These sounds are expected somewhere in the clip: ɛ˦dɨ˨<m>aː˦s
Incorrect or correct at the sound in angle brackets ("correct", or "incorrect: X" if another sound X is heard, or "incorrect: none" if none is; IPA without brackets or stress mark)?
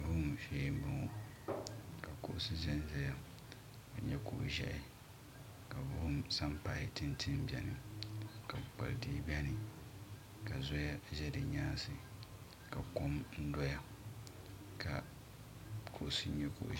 incorrect: ɲ